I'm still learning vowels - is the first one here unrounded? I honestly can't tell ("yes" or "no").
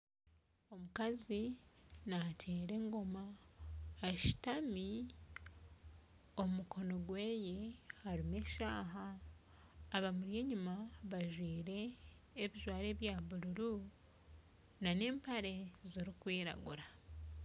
no